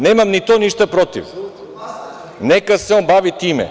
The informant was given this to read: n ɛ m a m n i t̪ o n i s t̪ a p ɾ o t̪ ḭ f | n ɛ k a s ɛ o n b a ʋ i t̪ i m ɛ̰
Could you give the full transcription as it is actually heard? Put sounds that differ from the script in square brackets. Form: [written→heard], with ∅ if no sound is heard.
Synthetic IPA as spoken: n ɛ m a m n i t̪ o n i [s→ʃ] t̪ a p ɾ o t̪ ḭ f | n ɛ k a s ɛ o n b a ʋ i t̪ i m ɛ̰